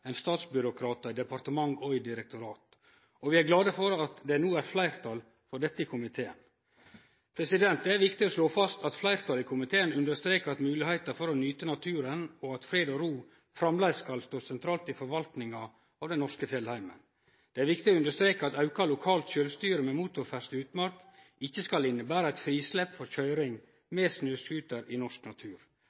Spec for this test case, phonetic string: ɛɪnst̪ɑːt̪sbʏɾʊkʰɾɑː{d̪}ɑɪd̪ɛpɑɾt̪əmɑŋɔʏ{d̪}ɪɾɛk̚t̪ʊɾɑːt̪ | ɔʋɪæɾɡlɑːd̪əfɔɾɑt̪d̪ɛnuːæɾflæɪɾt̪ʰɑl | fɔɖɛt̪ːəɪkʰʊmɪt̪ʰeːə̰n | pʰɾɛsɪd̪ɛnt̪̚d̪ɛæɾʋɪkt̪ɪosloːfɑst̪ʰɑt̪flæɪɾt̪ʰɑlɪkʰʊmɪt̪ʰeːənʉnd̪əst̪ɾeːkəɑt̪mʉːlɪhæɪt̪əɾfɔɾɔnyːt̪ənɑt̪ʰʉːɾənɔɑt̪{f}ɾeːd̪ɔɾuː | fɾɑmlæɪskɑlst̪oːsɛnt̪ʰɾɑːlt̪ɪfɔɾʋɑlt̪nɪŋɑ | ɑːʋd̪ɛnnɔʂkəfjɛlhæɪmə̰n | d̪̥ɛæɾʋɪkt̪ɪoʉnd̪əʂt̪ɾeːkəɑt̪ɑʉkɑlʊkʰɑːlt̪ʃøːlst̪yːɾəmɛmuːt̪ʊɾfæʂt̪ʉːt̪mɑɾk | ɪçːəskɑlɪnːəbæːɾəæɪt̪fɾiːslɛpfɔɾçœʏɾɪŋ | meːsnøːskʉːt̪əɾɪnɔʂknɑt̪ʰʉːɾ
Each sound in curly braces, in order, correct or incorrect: incorrect, correct, correct

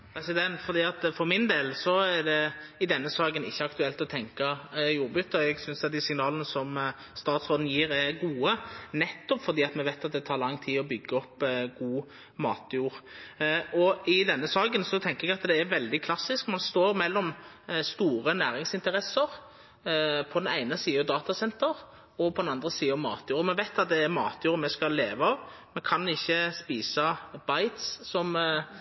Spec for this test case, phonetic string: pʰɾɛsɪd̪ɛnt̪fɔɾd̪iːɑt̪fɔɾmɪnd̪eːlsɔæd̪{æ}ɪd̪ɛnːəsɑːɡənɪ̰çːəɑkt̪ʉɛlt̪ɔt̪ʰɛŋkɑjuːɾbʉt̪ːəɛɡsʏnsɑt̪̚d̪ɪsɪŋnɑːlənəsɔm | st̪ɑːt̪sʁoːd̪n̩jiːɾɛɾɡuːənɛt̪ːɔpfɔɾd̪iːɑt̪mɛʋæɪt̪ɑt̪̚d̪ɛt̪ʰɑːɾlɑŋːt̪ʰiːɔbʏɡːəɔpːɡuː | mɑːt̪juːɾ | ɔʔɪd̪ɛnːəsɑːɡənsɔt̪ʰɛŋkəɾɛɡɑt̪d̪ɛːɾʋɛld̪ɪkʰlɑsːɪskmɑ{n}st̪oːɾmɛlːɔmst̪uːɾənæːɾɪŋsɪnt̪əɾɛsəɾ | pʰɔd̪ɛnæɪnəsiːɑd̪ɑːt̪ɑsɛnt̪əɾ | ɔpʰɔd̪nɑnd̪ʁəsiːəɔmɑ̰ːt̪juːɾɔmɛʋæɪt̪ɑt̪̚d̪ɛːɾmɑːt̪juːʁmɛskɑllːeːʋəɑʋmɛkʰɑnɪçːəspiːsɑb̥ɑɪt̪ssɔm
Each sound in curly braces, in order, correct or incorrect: incorrect, correct

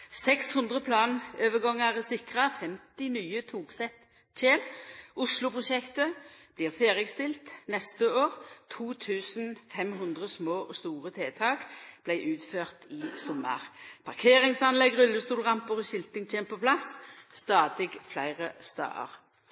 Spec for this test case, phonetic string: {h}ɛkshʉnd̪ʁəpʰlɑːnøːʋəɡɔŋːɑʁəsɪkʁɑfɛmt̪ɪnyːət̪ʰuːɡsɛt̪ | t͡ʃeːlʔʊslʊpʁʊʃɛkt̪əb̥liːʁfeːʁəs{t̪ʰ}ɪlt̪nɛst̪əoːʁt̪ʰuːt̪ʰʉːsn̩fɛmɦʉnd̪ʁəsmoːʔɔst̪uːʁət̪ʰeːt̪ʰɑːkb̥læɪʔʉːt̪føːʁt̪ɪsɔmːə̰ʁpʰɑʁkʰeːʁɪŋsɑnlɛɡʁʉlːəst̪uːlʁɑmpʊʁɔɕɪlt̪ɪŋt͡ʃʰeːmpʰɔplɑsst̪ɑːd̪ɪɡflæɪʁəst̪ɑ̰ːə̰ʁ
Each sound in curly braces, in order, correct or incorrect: incorrect, incorrect

